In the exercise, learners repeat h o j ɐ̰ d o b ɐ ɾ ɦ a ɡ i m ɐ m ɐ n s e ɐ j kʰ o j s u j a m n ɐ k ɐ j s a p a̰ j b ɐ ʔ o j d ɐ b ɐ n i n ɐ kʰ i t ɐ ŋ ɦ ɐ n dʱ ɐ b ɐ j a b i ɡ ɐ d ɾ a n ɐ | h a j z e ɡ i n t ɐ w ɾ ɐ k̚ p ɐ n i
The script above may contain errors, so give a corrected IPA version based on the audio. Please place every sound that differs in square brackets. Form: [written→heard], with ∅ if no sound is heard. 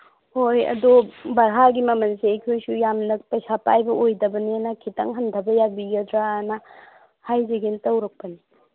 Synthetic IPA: h o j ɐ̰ d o b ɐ ɾ ɦ a ɡ i m ɐ m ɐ n s e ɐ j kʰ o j s u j a m n ɐ [k→p] ɐ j s a p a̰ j b ɐ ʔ o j d ɐ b ɐ n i n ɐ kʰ i t ɐ ŋ ɦ ɐ n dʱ ɐ b ɐ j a b i ɡ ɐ d ɾ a n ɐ | h a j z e ɡ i n t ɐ w ɾ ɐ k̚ p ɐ n i